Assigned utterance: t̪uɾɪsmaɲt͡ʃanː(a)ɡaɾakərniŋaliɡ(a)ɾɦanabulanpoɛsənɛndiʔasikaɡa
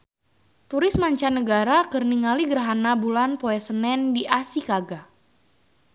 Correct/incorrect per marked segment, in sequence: incorrect: ə, incorrect: ə

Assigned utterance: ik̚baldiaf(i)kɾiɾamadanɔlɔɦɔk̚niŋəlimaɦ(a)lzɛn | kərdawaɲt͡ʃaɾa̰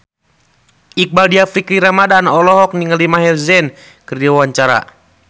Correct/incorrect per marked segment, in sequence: correct, incorrect: ɛ

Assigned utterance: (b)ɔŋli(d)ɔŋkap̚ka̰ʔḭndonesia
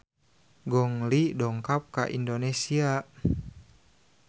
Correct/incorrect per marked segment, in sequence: incorrect: ɡ, correct

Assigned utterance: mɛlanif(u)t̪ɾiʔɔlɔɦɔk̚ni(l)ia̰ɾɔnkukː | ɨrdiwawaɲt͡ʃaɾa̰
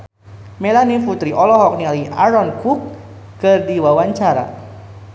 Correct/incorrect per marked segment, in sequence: correct, correct

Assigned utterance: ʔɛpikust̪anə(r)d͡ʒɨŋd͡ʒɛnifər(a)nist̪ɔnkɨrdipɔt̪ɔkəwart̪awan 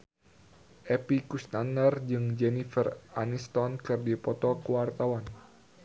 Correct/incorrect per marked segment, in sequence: correct, correct

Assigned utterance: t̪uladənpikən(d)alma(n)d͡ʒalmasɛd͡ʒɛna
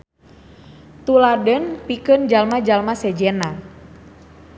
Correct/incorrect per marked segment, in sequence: incorrect: d͡ʒ, incorrect: none

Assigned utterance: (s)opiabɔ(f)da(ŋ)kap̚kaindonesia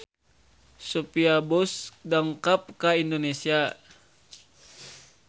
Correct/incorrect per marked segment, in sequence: correct, incorrect: s, correct

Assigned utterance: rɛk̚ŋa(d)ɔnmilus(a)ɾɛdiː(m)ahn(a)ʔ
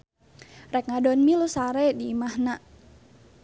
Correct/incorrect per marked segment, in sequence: correct, correct, correct, correct

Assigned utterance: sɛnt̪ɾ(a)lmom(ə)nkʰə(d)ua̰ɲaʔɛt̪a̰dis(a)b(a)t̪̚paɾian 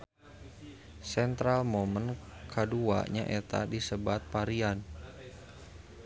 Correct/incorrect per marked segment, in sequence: correct, correct, correct, incorrect: ə, correct

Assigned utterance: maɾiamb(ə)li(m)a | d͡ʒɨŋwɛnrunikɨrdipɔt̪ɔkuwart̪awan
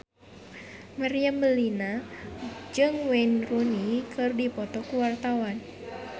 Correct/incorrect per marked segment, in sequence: correct, incorrect: n

